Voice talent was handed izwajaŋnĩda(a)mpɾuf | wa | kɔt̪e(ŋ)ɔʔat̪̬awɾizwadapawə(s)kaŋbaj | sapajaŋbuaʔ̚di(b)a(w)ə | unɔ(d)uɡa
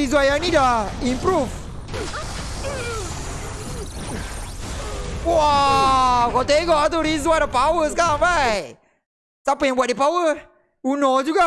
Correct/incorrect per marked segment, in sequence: incorrect: i, incorrect: ɡ, correct, incorrect: p, correct, incorrect: d͡ʒ

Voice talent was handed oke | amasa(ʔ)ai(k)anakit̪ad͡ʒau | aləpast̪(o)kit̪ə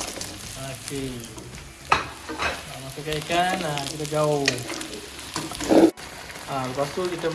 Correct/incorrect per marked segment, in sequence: incorrect: k, correct, incorrect: u

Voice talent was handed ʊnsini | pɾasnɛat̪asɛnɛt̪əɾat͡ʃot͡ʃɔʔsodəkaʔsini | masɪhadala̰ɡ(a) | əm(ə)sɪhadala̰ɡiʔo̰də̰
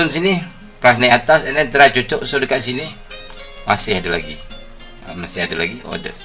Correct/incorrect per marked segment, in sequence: incorrect: i, incorrect: a

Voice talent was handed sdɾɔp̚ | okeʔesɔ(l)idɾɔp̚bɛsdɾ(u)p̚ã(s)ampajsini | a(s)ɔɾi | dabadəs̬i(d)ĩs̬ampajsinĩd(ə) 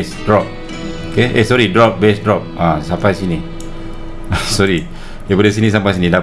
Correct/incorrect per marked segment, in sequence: incorrect: ɾ, incorrect: ɔ, correct, correct, incorrect: n, incorrect: a

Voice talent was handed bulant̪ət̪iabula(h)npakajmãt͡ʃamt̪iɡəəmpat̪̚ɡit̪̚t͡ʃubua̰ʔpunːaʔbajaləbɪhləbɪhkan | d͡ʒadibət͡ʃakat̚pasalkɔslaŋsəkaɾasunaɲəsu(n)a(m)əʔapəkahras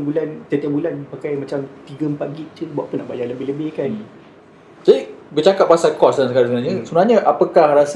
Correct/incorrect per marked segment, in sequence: incorrect: none, correct, incorrect: ɲ

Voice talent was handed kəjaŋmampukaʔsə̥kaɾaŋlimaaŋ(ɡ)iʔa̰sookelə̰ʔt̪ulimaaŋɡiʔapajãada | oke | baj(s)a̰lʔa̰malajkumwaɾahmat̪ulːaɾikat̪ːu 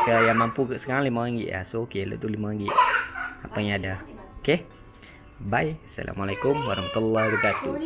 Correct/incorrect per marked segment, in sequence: correct, correct

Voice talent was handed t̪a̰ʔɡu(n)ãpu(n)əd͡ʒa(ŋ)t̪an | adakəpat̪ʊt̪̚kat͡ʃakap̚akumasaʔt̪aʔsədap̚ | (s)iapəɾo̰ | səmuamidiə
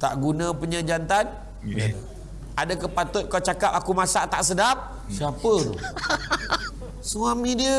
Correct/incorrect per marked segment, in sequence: correct, incorrect: ɲ, incorrect: n, correct

